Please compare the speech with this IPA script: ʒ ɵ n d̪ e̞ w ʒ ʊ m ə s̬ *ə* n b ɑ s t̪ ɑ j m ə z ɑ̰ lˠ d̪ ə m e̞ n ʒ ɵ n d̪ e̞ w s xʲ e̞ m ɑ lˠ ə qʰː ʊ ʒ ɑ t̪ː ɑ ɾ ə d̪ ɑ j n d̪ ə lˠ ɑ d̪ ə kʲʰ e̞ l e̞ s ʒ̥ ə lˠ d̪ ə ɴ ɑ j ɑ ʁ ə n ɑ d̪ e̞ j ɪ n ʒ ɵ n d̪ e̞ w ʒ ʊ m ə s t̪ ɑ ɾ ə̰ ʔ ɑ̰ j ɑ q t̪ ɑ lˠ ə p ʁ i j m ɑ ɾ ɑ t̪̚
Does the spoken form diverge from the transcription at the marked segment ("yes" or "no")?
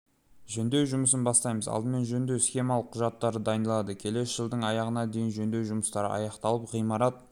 no